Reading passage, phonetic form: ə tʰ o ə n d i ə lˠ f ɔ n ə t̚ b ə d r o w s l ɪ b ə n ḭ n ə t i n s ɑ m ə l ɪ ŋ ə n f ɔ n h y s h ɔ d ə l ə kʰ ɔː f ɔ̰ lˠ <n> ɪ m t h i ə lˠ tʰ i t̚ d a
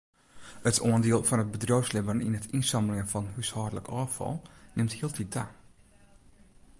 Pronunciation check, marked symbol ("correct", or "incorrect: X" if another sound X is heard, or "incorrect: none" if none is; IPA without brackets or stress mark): correct